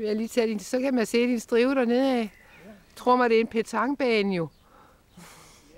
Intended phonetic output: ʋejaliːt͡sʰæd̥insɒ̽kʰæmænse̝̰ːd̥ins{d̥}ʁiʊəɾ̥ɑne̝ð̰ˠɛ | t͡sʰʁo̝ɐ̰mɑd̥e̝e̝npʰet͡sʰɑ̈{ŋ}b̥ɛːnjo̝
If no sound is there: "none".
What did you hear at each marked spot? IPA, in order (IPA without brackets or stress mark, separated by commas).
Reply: d̥, ŋ